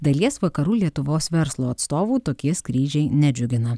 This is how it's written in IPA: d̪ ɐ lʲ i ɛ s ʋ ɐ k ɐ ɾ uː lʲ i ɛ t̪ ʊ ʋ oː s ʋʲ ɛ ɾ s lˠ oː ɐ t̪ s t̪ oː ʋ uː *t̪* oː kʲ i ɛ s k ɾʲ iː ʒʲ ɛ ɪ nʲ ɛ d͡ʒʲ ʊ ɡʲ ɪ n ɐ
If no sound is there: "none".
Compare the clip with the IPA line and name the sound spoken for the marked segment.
t̪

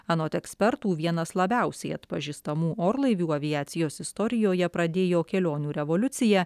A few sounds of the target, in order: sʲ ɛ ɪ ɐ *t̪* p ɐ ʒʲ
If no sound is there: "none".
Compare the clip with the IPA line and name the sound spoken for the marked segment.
t̪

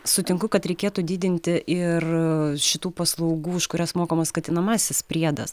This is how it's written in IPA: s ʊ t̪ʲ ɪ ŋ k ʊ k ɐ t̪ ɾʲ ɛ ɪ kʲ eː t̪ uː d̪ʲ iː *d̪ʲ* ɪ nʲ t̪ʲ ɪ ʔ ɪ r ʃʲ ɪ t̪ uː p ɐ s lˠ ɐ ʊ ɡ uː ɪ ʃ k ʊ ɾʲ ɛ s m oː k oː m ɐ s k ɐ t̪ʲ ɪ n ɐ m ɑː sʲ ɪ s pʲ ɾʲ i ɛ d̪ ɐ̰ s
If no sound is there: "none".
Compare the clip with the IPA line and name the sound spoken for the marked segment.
d̪ʲ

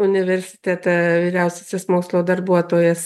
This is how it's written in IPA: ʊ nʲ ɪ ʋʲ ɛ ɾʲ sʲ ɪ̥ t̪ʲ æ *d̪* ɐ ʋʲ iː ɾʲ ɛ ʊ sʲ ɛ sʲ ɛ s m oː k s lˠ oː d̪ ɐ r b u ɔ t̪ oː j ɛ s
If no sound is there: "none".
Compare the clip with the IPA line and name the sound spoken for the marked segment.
t̪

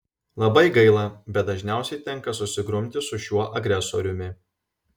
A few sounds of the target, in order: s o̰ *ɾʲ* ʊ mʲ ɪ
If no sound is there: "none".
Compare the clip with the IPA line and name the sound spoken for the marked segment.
ɾʲ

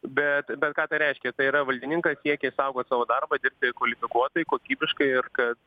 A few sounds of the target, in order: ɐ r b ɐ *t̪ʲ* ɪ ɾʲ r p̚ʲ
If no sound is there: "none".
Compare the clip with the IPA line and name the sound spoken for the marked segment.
d̪ʲ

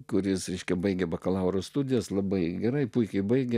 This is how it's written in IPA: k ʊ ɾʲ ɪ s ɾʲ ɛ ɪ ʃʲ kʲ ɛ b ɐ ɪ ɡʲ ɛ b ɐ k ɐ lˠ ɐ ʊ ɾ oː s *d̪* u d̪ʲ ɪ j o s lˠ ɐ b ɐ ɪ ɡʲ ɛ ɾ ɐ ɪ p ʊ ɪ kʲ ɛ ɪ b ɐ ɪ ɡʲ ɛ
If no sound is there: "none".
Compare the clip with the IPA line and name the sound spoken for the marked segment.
t̪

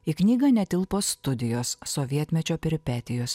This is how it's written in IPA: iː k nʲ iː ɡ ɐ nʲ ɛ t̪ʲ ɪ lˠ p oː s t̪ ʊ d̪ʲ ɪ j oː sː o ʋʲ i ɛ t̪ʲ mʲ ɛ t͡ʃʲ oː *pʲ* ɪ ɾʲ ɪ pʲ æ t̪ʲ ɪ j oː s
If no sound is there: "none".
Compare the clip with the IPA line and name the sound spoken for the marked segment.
pʲ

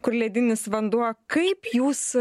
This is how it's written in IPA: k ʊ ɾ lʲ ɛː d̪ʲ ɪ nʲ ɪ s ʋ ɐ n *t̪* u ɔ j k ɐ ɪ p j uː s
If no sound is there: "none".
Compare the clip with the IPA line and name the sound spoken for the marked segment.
d̪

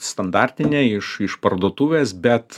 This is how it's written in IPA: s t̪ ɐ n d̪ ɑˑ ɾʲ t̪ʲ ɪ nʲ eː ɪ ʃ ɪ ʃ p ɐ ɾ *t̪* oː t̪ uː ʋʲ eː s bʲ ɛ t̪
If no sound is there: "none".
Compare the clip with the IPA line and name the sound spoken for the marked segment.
d̪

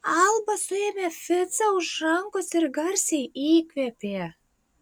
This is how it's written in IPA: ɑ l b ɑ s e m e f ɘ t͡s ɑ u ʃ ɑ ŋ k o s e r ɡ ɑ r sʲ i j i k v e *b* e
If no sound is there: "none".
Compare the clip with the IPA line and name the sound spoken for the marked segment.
p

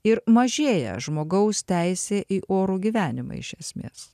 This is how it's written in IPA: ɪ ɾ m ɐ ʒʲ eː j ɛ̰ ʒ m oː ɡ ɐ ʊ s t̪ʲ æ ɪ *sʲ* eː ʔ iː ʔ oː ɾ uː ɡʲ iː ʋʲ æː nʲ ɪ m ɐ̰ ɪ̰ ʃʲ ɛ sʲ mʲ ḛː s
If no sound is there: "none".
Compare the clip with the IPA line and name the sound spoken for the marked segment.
sʲ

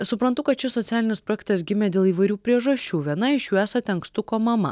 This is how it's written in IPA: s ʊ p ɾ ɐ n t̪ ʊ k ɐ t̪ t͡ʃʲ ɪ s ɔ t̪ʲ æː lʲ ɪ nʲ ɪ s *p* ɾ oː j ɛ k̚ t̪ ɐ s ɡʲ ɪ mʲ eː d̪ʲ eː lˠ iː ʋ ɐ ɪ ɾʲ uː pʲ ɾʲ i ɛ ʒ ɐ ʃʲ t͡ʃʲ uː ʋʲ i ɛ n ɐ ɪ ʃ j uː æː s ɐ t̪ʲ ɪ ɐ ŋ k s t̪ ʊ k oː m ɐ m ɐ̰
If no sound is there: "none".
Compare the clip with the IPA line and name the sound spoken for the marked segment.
p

